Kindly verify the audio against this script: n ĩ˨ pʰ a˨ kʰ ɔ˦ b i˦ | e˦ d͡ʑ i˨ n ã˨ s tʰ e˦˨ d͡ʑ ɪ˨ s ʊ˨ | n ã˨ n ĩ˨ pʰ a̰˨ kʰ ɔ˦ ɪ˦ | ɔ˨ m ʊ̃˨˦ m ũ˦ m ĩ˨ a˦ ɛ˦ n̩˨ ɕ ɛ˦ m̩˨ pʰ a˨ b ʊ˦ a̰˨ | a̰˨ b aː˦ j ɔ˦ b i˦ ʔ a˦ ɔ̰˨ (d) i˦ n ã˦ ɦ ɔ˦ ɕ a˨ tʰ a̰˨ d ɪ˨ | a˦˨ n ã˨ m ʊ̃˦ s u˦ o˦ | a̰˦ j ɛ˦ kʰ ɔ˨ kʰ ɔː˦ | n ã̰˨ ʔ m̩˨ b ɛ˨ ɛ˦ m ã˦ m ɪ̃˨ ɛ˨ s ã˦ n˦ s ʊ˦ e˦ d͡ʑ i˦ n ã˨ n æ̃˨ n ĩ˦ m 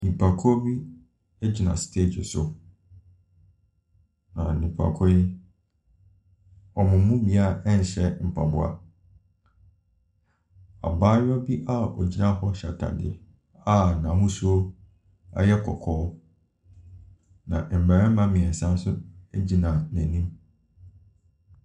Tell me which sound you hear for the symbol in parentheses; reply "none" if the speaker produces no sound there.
d͡ʑ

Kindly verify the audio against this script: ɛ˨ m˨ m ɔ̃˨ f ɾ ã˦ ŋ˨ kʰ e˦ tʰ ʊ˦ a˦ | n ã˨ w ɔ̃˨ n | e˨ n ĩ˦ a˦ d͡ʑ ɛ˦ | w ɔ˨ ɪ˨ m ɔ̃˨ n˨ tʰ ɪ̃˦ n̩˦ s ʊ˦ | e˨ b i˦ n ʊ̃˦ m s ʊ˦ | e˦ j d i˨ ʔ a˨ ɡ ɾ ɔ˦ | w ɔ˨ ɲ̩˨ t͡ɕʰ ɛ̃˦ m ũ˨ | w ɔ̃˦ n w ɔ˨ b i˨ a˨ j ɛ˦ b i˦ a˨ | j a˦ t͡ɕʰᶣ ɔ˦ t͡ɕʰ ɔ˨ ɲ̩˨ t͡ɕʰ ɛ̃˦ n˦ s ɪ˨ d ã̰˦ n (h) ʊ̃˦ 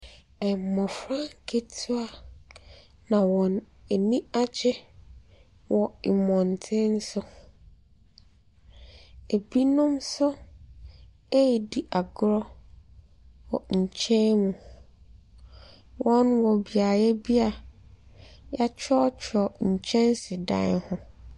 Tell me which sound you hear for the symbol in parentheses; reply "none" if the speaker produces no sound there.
h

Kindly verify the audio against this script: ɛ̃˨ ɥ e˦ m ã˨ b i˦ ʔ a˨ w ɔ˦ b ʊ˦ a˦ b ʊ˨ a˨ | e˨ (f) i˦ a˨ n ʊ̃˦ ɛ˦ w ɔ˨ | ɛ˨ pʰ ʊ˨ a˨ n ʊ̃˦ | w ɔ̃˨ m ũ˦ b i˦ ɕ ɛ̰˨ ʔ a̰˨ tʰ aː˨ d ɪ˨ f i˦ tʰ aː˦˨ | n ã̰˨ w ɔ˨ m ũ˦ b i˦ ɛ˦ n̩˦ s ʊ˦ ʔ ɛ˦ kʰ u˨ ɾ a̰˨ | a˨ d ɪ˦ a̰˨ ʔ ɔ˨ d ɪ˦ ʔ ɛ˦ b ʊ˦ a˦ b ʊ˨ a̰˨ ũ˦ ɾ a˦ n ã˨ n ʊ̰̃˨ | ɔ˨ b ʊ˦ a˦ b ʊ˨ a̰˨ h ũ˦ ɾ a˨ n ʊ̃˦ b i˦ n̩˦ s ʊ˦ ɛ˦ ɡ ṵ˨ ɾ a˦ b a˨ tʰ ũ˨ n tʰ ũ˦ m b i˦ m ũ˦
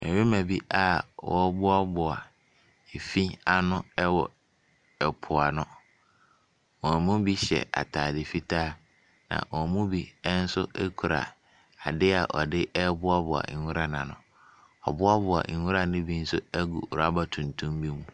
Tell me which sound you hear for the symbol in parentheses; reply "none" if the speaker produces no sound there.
f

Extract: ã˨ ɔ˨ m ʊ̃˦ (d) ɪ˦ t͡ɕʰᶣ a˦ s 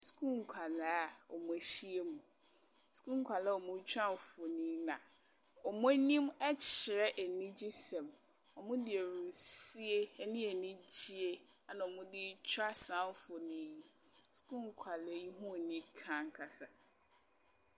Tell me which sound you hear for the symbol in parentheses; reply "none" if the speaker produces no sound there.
d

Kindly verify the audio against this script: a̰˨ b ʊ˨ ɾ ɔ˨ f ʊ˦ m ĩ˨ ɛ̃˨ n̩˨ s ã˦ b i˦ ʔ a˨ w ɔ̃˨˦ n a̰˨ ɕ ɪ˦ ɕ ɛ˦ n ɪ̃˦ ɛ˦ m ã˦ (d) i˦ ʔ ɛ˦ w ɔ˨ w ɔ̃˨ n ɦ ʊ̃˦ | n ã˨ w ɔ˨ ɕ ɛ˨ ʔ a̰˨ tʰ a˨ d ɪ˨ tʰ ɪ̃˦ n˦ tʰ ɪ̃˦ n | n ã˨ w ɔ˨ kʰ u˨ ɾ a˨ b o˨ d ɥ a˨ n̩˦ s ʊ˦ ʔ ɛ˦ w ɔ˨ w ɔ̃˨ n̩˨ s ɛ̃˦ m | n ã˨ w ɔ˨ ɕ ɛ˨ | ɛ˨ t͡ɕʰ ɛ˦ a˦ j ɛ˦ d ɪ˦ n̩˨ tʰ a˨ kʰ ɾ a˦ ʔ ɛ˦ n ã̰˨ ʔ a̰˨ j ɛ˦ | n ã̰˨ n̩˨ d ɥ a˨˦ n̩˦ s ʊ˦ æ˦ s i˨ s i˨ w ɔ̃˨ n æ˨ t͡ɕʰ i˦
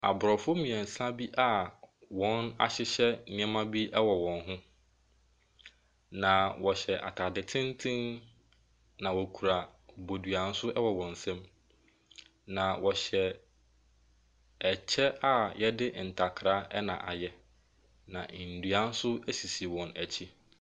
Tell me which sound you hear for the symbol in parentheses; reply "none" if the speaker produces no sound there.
b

